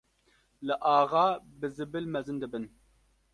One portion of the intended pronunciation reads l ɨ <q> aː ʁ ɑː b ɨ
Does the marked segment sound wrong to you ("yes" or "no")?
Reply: yes